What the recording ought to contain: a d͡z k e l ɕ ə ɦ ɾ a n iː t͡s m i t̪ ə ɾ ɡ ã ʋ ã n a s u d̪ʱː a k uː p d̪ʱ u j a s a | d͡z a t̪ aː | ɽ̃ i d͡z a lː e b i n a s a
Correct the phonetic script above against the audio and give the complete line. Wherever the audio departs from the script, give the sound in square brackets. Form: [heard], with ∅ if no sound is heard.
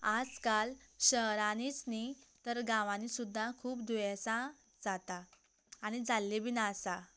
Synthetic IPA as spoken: a d͡z k [a] l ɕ ə ɦ ɾ a n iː t͡s [n] i t̪ ə ɾ ɡ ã ʋ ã n [i] s u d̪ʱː a [kʰ] uː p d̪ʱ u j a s a | d͡z a t̪ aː | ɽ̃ i d͡z a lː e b i n a s a